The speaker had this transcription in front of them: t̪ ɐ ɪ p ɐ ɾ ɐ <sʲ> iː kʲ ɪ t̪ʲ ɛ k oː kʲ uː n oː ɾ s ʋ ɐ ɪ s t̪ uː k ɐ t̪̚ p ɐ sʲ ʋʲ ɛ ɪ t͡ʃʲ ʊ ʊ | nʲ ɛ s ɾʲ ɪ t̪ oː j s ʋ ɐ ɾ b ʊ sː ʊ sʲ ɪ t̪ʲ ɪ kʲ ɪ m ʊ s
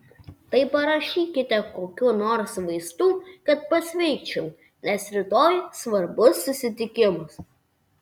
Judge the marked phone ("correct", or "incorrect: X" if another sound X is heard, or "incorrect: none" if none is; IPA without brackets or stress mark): incorrect: ʃʲ